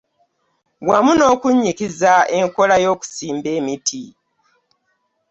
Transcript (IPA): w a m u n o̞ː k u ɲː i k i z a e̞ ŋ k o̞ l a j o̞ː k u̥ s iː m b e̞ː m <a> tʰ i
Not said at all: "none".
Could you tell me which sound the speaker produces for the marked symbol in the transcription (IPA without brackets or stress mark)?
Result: i